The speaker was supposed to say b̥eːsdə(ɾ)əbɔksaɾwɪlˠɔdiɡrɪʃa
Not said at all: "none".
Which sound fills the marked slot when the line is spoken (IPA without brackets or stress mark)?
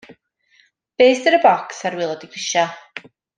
ɾ